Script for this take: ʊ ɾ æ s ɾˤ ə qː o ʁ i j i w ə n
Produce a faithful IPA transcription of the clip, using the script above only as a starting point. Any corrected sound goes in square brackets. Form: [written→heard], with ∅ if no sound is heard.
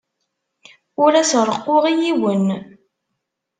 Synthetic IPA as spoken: ʊ ɾ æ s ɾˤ ə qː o ʁ i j i w ə n